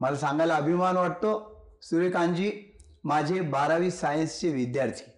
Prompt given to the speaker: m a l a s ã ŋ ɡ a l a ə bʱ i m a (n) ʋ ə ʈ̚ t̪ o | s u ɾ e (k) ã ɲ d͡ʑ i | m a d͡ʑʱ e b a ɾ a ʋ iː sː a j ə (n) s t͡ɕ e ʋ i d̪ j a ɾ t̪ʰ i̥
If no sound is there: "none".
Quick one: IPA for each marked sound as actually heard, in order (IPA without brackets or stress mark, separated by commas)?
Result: n, k, n